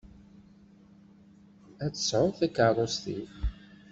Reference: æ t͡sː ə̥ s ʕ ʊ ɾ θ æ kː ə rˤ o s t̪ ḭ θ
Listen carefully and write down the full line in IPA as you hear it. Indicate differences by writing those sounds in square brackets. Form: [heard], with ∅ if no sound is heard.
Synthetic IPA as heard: æ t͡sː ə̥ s ʕ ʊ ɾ θ æ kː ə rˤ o s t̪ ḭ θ